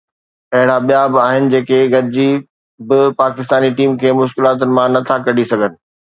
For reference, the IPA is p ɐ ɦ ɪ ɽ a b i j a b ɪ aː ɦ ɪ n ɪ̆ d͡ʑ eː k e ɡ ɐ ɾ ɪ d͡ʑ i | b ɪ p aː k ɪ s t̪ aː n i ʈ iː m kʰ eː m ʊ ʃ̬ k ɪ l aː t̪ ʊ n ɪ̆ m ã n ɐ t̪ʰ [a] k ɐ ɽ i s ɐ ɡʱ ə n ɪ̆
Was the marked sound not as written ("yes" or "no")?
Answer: no